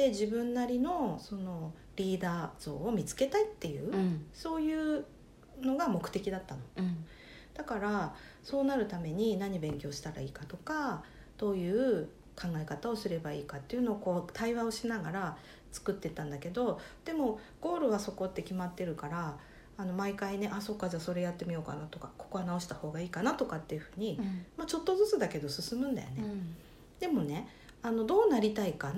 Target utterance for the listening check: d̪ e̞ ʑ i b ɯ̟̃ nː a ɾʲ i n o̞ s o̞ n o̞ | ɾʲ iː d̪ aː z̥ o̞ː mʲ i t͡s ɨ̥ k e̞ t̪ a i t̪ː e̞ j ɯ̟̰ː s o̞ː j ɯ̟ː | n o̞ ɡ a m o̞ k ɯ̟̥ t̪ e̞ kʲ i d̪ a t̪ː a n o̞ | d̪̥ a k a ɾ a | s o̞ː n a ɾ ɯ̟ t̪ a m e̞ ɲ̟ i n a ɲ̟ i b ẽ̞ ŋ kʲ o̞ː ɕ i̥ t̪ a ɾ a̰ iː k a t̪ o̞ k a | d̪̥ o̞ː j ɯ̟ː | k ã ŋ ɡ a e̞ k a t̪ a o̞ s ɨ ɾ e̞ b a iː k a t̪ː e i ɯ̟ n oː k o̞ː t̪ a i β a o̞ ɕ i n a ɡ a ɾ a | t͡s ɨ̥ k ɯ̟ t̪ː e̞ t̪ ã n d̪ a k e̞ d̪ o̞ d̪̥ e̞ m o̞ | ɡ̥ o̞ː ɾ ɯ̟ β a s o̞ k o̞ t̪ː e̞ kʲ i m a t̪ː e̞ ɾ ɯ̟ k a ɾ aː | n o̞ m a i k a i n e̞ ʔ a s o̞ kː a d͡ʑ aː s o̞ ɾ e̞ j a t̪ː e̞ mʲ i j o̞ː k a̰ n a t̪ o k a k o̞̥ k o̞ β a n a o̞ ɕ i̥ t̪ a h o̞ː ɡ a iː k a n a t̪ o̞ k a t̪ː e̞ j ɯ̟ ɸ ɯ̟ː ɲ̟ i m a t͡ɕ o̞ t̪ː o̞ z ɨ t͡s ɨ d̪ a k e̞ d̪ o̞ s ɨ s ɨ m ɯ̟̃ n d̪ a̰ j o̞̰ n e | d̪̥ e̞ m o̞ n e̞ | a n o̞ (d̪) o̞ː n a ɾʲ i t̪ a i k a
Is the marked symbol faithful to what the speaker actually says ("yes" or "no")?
yes